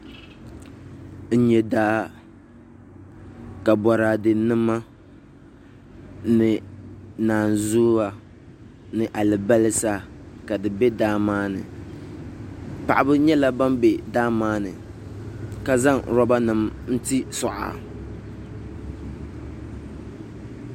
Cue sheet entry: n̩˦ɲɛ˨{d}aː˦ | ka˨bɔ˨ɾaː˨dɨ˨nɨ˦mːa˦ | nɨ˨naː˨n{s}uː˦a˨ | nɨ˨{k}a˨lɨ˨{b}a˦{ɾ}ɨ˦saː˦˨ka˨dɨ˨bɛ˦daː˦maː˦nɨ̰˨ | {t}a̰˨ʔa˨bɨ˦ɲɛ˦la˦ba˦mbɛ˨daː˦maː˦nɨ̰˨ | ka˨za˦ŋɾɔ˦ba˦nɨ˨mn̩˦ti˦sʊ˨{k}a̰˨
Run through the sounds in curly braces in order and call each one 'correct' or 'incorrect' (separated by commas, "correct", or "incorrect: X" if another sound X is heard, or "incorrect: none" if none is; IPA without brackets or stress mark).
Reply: correct, incorrect: z, incorrect: ʔ, correct, incorrect: l, incorrect: p, incorrect: ʔ